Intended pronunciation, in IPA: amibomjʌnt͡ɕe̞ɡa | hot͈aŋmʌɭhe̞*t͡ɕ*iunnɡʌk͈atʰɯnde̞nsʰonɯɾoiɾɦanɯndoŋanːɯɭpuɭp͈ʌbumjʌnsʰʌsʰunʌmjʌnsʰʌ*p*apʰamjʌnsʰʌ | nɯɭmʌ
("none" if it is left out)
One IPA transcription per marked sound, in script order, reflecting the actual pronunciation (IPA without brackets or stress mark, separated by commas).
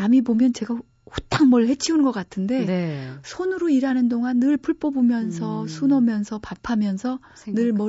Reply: t͡ɕʰ, p